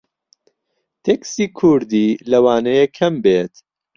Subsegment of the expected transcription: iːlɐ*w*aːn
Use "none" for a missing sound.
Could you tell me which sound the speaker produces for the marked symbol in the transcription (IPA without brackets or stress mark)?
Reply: w